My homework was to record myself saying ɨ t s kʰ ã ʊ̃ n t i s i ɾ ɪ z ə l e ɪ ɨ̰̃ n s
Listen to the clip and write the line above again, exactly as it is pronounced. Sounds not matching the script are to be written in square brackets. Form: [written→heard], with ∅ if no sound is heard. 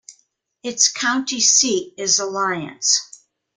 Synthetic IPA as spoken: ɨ t s kʰ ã ʊ̃ n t i s i ɾ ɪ z ə l [e→a] ɪ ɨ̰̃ n s